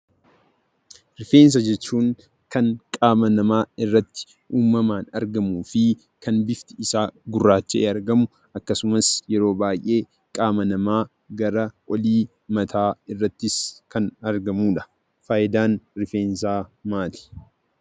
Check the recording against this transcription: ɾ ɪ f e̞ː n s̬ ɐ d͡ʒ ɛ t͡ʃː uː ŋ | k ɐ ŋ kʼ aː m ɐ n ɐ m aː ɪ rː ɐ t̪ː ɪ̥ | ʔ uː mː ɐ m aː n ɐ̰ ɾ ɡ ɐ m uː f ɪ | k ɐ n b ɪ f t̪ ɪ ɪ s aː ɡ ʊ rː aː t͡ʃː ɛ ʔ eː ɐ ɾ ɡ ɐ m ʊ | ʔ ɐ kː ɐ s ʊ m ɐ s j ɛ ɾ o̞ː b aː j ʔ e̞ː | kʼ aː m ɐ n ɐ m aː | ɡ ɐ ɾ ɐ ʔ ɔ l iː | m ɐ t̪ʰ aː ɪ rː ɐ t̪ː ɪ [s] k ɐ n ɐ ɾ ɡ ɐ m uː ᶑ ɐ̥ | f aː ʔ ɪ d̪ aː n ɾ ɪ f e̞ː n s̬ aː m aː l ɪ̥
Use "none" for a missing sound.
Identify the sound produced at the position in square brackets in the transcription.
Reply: s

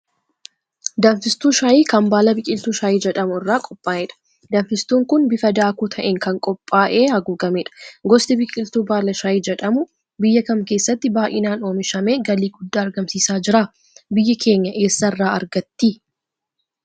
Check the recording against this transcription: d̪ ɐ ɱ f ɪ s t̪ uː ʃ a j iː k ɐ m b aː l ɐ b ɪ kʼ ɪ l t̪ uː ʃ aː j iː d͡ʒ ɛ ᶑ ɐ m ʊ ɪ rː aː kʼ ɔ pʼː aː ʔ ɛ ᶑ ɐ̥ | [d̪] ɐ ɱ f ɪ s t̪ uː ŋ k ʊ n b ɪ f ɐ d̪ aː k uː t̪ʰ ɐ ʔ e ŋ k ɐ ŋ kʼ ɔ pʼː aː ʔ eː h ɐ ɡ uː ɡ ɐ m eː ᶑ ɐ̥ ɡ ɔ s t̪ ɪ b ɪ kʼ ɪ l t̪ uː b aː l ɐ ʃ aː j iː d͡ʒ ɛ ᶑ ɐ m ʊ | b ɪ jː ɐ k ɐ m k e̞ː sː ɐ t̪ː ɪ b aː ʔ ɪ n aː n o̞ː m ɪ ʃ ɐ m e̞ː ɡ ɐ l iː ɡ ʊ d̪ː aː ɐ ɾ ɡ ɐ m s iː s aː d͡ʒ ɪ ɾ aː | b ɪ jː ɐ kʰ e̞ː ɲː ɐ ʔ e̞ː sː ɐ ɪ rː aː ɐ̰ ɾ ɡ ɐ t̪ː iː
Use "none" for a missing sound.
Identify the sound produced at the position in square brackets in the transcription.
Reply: d̪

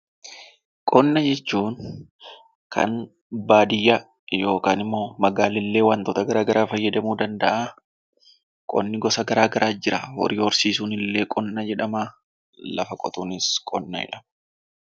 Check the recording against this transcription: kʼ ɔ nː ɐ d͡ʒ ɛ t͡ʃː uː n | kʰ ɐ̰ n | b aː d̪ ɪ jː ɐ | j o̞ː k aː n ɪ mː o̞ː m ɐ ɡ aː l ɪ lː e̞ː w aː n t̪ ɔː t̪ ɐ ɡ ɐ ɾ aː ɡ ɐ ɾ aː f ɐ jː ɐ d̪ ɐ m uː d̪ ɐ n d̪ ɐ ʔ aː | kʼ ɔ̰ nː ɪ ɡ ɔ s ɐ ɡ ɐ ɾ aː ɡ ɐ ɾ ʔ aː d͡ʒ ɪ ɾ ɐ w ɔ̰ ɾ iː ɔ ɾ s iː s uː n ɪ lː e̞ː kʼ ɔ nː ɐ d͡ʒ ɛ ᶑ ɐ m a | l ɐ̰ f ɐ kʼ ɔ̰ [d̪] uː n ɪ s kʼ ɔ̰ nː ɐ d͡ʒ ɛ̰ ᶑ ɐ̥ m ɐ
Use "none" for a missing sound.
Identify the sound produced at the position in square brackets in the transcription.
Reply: t̪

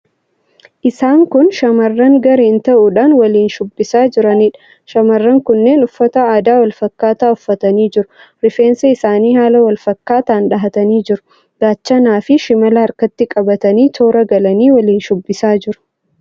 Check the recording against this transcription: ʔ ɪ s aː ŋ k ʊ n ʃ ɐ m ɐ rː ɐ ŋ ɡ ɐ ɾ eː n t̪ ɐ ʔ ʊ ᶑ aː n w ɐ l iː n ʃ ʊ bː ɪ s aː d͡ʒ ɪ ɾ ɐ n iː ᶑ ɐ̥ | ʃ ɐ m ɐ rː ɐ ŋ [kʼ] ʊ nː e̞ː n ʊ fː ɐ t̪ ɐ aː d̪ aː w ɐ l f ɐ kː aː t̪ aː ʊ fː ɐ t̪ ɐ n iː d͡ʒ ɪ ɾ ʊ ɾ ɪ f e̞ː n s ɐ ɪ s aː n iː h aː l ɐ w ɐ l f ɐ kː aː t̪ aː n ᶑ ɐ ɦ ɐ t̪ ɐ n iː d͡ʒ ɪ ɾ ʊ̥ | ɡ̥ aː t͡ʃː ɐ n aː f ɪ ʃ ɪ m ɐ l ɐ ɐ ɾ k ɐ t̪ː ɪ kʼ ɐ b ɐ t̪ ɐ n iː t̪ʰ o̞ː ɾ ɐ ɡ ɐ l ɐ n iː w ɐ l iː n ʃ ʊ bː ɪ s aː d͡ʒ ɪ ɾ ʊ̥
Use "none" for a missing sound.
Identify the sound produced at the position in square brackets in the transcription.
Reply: k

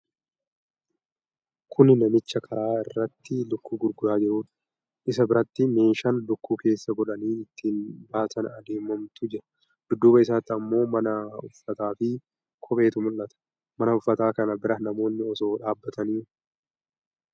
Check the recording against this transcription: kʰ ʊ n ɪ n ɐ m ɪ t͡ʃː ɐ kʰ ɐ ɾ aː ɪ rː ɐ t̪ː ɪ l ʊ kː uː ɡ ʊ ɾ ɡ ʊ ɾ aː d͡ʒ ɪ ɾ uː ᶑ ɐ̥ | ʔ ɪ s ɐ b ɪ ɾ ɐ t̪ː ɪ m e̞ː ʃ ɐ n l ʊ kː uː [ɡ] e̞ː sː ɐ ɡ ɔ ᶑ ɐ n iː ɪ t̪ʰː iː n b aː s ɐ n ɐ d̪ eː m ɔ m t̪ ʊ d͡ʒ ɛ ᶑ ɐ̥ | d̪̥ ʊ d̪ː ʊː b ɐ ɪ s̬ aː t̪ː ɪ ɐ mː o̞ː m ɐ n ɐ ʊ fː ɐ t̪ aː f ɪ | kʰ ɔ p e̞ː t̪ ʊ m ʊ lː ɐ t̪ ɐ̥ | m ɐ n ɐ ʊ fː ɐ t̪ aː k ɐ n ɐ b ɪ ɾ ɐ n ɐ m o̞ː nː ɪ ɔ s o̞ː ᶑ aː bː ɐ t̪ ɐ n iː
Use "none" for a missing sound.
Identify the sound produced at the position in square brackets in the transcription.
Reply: k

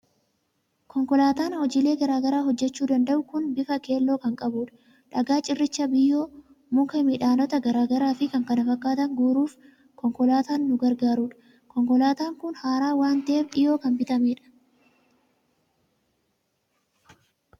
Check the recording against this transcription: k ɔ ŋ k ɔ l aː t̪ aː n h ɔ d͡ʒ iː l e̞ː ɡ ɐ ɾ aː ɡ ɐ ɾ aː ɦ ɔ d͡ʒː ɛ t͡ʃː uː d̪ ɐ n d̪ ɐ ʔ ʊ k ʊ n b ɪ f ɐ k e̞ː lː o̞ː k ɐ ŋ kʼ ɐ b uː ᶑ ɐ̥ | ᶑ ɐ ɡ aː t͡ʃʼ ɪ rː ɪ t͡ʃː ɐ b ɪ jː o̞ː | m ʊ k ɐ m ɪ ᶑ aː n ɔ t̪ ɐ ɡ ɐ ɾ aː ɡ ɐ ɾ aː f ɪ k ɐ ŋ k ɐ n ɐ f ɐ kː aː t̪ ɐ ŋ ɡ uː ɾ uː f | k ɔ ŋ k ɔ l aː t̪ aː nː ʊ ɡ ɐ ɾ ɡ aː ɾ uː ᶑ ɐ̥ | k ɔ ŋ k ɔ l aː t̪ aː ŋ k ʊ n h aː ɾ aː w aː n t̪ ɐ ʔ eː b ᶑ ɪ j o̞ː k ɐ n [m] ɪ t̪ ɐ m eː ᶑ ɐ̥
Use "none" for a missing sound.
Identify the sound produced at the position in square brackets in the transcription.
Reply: b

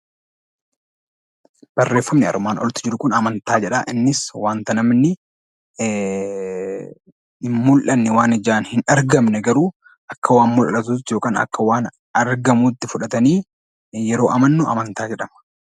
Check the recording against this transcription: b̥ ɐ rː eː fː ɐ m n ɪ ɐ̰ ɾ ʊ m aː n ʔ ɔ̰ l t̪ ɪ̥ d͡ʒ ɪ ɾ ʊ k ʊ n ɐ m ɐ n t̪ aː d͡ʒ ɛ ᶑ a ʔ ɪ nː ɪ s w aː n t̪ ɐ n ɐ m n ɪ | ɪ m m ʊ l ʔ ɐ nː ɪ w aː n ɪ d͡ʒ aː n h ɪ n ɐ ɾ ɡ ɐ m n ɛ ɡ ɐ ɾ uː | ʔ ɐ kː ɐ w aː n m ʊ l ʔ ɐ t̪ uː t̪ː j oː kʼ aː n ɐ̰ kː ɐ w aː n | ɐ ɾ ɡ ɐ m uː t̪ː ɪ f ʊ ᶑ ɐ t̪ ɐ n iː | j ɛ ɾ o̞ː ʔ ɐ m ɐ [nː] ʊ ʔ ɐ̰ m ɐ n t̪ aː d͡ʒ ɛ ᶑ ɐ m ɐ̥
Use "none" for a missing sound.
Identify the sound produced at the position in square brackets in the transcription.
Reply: nː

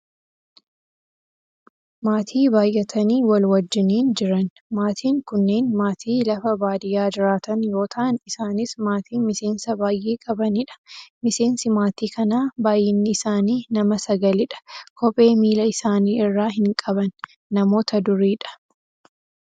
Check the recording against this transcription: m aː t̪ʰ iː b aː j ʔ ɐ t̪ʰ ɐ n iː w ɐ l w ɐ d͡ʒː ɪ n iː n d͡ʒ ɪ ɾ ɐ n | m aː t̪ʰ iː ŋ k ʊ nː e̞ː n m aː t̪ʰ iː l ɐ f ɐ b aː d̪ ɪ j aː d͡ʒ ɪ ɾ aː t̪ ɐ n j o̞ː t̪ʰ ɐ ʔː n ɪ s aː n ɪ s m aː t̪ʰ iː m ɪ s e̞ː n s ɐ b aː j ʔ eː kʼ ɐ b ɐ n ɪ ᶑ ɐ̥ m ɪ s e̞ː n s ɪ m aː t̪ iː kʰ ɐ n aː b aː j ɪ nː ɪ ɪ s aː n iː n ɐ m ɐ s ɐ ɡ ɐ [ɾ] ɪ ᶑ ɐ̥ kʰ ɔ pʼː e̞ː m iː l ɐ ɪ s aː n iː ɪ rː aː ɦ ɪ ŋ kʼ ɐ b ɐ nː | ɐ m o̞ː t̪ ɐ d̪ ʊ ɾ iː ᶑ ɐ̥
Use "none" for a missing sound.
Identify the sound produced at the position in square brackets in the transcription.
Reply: l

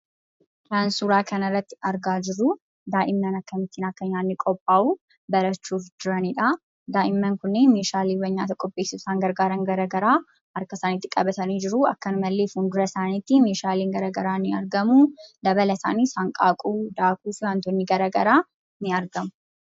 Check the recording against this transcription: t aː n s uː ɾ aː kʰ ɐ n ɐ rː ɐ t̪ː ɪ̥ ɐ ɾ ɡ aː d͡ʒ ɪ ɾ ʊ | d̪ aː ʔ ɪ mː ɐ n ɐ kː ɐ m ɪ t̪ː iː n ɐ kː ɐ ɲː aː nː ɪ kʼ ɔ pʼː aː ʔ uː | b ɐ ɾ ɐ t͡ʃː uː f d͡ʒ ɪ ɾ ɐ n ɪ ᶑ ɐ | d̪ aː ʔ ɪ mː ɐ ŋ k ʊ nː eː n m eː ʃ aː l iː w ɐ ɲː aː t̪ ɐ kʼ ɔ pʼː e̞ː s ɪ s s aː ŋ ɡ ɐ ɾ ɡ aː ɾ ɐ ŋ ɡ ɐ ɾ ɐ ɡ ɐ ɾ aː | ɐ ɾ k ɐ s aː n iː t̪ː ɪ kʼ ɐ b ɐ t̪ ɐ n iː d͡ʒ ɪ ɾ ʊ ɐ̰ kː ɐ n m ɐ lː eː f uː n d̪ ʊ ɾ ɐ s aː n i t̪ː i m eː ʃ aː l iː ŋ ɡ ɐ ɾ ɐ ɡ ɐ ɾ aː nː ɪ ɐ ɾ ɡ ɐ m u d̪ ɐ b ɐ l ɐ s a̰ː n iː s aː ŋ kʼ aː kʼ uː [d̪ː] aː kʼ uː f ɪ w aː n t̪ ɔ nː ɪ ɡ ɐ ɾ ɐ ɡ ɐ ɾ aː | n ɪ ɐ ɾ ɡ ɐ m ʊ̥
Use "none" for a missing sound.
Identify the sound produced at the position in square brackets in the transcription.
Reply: d̪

